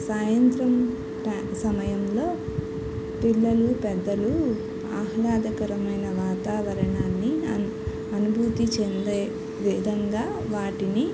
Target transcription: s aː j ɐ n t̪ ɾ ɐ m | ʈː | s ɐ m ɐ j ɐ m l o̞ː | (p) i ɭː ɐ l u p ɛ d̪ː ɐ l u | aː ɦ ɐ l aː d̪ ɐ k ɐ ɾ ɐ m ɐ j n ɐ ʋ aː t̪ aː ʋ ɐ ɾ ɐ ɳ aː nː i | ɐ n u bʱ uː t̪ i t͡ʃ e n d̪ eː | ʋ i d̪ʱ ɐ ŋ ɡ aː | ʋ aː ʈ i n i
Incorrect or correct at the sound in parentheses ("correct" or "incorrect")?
correct